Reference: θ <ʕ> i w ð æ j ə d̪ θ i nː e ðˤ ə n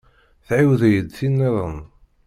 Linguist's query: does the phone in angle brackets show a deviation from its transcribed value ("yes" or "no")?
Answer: no